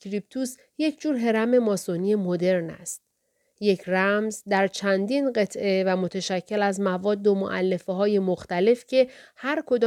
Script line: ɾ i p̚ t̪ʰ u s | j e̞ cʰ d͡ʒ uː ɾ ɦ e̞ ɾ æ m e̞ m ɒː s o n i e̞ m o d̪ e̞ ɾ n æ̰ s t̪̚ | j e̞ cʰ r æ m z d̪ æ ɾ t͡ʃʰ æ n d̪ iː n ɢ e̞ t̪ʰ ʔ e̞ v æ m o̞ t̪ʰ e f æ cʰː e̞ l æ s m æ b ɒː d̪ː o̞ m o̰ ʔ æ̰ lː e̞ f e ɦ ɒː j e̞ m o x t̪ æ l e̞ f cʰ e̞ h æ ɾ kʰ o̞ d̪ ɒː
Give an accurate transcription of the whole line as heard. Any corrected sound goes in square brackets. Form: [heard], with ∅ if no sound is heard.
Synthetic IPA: ɾ i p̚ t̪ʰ u s | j e̞ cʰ d͡ʒ uː ɾ ɦ e̞ ɾ æ m e̞ m ɒː s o n i e̞ m o d̪ e̞ ɾ n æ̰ s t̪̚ | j e̞ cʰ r æ m z d̪ æ ɾ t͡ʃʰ æ n d̪ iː n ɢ e̞ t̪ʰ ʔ e̞ v æ m o̞ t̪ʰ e [ʃ] æ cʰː e̞ l æ [z] m æ [v] ɒː d̪ː o̞ m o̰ ʔ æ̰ lː e̞ f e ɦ ɒː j e̞ m o x t̪ æ l e̞ f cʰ e̞ h æ ɾ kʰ o̞ d̪ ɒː